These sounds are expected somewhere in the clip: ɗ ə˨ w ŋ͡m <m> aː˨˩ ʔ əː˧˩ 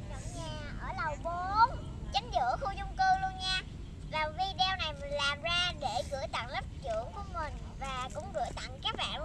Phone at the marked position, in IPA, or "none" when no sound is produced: ɲ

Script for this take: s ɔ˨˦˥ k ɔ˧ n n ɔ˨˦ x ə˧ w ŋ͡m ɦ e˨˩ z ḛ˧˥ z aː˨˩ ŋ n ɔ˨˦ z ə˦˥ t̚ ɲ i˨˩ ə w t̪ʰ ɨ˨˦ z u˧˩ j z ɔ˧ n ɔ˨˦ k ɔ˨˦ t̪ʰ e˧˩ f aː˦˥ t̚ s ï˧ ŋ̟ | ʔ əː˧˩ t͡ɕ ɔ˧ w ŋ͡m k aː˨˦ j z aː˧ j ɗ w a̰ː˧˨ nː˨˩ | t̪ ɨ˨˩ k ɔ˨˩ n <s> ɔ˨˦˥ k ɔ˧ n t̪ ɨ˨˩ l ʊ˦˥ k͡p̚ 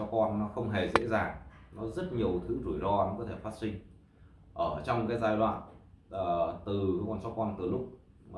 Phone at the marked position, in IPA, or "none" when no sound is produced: s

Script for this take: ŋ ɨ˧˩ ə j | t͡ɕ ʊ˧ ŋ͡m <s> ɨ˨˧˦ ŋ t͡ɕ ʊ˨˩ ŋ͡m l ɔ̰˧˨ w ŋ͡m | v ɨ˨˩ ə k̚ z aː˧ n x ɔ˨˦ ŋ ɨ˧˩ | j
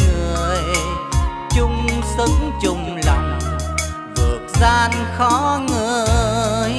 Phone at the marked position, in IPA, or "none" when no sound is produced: s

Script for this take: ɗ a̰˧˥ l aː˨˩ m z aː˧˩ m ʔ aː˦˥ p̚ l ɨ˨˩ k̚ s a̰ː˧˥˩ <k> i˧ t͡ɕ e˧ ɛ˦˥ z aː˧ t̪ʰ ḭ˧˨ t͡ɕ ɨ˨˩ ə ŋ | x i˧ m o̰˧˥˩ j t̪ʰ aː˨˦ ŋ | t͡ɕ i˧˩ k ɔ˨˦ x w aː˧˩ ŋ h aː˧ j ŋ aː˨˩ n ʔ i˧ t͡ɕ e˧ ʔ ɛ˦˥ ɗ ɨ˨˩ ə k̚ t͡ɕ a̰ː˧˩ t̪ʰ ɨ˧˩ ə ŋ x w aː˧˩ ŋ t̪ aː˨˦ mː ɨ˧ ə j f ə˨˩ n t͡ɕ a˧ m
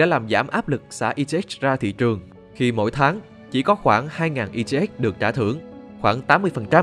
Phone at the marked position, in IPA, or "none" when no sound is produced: ʔ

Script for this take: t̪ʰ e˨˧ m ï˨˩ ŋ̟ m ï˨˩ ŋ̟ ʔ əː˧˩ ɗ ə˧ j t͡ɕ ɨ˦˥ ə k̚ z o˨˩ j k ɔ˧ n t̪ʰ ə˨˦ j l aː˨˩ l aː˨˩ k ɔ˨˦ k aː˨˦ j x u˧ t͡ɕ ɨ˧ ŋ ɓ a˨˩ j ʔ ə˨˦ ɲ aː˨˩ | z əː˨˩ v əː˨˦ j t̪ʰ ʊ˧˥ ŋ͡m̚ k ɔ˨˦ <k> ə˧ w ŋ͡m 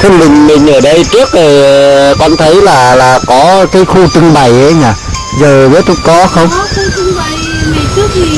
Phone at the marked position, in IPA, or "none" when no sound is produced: x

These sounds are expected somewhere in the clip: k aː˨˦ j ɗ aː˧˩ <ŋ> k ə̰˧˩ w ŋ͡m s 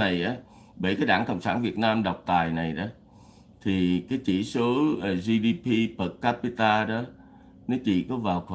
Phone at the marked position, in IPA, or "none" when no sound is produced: ŋ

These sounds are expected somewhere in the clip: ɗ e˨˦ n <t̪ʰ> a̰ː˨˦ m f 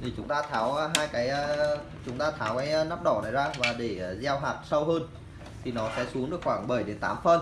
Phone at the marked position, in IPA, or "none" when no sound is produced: t̪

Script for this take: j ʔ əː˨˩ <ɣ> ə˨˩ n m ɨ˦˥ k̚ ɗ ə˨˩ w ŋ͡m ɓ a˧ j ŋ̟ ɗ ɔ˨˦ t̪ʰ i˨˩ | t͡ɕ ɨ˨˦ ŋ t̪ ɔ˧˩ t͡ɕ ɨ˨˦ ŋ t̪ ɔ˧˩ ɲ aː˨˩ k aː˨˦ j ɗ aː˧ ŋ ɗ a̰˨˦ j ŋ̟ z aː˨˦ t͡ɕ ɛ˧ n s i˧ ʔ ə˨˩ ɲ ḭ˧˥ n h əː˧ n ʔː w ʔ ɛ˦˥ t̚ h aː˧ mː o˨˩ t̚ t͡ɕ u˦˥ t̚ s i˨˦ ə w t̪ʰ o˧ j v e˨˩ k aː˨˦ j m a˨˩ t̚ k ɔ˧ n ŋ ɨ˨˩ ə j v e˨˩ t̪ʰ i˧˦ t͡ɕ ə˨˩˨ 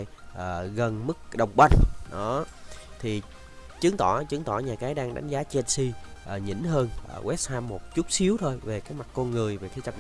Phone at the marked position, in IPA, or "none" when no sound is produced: ɣ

